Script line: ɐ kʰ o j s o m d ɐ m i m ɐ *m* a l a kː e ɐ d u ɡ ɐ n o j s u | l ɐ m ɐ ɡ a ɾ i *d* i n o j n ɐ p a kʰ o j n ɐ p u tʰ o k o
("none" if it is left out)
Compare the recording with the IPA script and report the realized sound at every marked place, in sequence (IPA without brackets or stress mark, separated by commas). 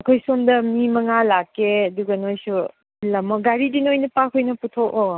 ŋ, d